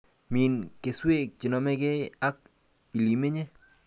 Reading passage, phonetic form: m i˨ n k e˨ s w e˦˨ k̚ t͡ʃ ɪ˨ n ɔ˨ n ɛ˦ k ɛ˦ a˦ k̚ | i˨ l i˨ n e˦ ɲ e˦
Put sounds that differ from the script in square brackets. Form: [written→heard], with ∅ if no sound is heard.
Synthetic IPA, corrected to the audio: m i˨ n k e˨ s w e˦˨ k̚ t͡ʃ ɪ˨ n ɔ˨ [n→m] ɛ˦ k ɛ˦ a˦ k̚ | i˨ l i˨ [n→m] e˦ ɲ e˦